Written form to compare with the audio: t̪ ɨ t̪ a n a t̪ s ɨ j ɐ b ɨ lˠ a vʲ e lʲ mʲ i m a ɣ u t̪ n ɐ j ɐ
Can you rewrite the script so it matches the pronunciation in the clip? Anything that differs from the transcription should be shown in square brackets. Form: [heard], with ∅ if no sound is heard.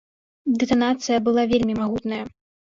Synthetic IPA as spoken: [d̪] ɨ t̪ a n a t̪ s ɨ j ɐ b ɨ lˠ a vʲ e lʲ mʲ i m a ɣ u t̪ n ɐ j ɐ